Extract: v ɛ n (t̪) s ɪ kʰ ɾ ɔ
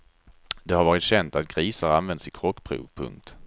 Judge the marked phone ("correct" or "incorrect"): incorrect